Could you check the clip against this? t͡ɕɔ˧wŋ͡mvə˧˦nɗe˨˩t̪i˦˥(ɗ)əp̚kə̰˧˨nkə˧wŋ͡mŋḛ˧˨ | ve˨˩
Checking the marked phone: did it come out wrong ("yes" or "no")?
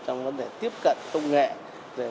yes